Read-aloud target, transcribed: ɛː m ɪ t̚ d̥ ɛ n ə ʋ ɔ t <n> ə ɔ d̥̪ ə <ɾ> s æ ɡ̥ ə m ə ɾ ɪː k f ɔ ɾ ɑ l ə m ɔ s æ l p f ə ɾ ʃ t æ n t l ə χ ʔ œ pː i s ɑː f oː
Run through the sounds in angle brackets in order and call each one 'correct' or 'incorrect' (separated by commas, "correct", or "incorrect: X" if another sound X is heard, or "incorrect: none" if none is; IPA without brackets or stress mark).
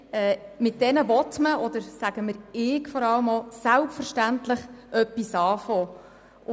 incorrect: m, correct